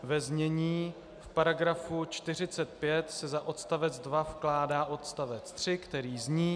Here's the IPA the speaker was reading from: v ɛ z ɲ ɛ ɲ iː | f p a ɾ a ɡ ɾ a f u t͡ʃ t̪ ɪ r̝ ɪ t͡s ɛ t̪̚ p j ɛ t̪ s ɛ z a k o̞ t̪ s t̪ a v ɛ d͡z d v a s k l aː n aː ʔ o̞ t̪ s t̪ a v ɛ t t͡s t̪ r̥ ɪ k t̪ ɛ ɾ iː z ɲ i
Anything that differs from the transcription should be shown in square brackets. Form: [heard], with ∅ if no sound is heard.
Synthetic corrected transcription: v ɛ z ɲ ɛ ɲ iː | f p a ɾ a ɡ ɾ a f u t͡ʃ t̪ ɪ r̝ ɪ t͡s ɛ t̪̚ p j ɛ t̪ s ɛ z a [ʔ] o̞ t̪ s t̪ a v ɛ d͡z d v a [f] k l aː [d] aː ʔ o̞ t̪ s t̪ a v ɛ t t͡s t̪ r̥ ɪ k t̪ ɛ ɾ iː z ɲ [iː]